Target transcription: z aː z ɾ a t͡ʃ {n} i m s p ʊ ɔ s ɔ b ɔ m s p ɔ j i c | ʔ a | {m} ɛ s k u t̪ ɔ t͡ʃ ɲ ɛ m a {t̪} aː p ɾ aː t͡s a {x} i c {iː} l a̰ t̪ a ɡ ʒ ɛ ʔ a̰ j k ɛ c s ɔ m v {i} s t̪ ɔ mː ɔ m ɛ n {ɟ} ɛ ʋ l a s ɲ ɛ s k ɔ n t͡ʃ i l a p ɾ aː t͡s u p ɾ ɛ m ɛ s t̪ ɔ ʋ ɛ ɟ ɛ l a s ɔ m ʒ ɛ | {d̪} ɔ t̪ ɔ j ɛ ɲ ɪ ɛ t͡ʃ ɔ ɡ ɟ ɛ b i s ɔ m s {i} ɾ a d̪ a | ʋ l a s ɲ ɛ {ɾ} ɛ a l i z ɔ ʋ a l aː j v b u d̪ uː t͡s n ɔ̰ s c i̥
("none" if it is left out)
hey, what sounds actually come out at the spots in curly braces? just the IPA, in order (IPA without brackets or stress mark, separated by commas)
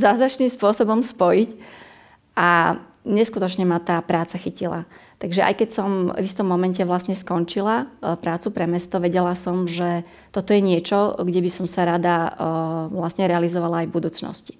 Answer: n, ɲ, t̪, x, i, i, c, t̪, a, ɾ